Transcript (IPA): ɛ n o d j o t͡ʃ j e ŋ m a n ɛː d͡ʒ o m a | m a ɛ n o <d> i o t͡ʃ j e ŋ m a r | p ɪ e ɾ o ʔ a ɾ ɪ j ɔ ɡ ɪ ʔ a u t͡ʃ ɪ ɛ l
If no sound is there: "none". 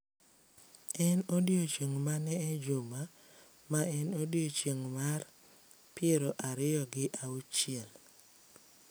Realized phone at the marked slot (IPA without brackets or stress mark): d